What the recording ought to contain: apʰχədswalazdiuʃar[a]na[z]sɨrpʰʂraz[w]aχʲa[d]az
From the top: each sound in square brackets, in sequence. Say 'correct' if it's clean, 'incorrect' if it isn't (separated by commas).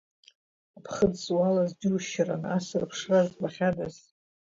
correct, incorrect, incorrect, correct